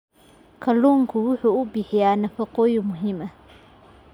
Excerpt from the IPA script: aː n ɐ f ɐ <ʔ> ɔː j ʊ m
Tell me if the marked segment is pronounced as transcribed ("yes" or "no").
no